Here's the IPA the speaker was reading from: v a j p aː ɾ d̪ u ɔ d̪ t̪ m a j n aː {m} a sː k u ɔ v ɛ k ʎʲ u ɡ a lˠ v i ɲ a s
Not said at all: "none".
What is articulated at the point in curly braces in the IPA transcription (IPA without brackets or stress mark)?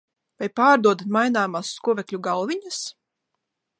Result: m